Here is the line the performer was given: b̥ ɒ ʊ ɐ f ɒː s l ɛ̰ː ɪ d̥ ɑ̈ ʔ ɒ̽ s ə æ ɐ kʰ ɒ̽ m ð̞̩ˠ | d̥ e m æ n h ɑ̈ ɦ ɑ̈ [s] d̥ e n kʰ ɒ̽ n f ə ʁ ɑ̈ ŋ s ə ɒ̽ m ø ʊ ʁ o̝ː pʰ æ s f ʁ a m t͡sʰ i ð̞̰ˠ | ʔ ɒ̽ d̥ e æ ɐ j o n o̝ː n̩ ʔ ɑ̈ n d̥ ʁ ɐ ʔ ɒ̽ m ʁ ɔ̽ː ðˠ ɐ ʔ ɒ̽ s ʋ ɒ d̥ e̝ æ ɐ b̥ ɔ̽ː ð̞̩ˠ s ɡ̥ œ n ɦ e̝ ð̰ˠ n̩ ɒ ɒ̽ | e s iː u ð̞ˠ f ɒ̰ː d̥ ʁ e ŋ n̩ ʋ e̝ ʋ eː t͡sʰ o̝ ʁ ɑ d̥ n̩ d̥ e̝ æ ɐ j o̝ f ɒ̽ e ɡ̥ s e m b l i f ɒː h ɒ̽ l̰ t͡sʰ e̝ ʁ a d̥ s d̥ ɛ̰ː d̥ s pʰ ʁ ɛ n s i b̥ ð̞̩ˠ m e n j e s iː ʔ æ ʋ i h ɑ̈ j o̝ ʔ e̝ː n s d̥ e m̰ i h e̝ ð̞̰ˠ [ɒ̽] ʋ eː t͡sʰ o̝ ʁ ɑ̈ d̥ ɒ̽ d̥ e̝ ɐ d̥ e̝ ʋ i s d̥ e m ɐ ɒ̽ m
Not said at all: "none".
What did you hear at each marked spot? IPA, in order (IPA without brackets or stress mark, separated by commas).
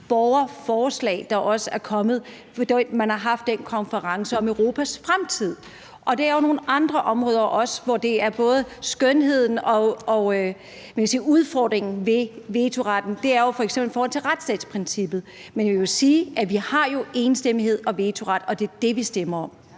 f, ɒ̽